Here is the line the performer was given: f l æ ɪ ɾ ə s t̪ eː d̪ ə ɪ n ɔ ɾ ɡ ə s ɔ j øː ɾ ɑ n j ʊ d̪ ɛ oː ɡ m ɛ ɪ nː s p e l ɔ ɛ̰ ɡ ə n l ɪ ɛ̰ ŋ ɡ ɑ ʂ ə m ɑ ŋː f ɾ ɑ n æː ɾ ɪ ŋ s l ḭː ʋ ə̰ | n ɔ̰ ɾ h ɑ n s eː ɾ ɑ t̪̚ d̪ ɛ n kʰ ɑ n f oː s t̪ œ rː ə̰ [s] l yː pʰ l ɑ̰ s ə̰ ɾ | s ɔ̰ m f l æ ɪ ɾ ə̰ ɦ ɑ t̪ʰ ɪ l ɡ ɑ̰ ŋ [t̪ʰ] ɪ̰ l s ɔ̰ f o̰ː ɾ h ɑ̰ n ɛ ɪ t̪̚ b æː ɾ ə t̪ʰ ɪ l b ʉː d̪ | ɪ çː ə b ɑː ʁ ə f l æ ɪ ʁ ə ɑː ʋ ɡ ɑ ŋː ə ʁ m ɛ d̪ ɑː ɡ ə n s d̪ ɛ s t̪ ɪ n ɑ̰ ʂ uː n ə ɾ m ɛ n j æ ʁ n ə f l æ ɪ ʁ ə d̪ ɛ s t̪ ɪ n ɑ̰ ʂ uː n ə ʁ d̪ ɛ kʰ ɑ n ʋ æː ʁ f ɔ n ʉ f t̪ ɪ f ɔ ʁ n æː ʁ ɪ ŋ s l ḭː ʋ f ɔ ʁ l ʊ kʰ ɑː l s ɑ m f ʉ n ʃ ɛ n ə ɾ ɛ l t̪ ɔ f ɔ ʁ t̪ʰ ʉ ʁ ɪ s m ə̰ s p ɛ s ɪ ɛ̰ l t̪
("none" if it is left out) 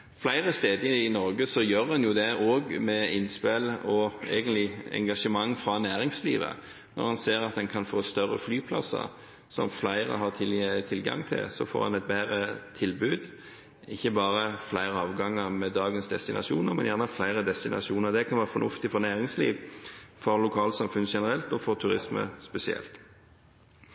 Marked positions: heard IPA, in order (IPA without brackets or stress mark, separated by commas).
f, t̪ʰ